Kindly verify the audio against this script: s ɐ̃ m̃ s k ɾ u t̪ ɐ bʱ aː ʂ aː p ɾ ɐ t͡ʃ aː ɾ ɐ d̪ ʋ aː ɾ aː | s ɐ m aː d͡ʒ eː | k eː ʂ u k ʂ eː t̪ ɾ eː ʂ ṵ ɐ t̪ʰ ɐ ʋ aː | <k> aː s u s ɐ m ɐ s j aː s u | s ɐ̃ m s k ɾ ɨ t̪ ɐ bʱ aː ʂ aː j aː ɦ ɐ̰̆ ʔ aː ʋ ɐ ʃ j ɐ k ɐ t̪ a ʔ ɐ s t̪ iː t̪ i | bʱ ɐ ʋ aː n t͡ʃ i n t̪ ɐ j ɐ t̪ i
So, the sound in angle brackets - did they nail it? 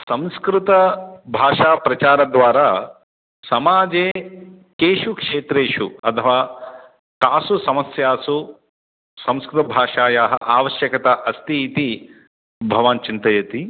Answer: yes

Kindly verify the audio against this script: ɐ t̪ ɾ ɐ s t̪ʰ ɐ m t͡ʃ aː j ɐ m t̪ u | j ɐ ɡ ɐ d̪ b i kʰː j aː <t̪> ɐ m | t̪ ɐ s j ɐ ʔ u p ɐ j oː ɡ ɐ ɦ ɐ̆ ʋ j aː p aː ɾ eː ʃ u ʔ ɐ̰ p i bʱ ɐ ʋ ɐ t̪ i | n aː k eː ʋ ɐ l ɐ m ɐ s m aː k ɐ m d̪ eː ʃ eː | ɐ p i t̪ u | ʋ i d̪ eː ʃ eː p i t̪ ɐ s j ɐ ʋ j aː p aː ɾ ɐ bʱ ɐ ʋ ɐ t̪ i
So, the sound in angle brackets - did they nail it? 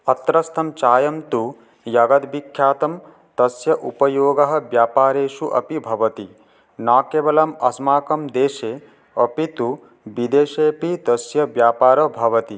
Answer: yes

